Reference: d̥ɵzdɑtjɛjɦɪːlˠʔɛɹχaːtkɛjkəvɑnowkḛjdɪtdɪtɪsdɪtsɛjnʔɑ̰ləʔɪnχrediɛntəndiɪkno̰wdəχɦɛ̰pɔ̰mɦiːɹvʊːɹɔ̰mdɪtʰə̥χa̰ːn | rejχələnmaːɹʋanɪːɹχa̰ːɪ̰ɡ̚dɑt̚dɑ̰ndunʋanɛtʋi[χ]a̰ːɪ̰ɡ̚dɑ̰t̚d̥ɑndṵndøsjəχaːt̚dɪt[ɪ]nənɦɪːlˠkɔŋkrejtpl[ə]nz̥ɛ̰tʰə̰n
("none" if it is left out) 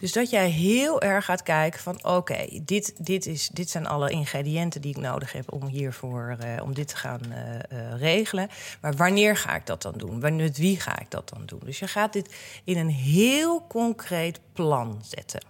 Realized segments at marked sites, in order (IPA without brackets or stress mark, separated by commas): χ, ɪ, ɑ